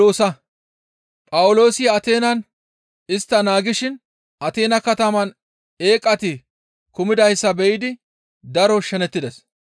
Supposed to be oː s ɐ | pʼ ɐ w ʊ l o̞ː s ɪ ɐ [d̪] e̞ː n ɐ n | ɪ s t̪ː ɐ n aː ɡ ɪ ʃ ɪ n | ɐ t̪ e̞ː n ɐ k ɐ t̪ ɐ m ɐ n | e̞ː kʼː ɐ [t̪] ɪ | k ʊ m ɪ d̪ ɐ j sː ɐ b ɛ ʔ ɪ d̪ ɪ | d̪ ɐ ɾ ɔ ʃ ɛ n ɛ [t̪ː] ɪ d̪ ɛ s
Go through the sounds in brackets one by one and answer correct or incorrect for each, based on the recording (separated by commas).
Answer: incorrect, correct, correct